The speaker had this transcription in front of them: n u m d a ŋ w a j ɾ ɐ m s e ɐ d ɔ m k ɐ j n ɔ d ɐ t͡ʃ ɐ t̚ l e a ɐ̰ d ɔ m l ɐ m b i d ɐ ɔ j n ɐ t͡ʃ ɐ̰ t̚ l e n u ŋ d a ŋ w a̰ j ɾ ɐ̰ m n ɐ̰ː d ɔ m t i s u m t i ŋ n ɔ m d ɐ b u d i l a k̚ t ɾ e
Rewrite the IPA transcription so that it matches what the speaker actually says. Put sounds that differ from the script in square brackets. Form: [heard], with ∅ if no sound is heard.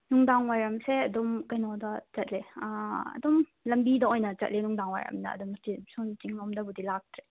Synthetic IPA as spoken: n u [ŋ] d a ŋ w a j ɾ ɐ m s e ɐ d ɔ m k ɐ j n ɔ d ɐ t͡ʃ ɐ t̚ l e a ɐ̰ d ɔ m l ɐ m b i d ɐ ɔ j n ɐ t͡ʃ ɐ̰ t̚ l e n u ŋ d a ŋ w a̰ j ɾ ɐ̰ m n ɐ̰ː d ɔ m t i s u [n] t i ŋ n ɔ m d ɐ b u d i l a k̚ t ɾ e